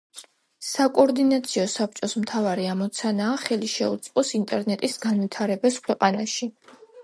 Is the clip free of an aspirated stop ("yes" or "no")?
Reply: no